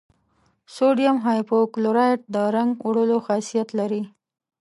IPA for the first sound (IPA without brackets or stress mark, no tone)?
s